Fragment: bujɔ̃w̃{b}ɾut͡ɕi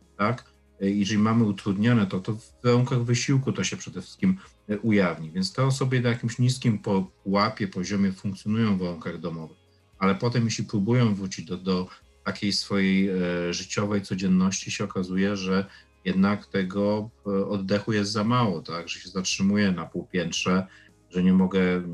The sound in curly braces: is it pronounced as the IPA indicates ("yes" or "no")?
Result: no